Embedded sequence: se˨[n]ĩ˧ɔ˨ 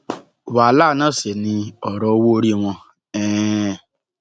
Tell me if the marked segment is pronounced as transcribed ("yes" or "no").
yes